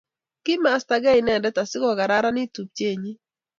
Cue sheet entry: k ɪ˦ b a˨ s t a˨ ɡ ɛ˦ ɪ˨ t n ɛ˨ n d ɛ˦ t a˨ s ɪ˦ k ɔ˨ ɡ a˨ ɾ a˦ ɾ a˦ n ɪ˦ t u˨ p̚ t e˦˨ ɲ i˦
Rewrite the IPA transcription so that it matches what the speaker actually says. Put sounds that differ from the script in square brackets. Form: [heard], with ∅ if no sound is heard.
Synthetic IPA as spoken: k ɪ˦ [m] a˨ s t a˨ ɡ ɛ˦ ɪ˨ [∅] n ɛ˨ n d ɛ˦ t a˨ s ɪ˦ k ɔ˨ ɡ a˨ ɾ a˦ ɾ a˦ n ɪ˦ t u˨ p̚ [t͡ʃ] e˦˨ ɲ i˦